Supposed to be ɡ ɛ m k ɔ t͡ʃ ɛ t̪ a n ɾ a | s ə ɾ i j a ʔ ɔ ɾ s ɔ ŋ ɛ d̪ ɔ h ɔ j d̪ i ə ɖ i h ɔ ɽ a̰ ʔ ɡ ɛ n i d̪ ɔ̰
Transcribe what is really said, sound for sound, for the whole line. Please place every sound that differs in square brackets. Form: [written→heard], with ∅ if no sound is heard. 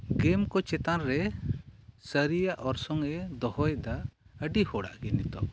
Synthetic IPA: ɡ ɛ m k ɔ t͡ʃ ɛ t̪ a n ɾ [a→ɛ] | s ə ɾ i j a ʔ ɔ ɾ s ɔ ŋ ɛ d̪ ɔ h ɔ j d̪ [i→a] ə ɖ i h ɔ ɽ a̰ ʔ ɡ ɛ n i [d̪→t̪] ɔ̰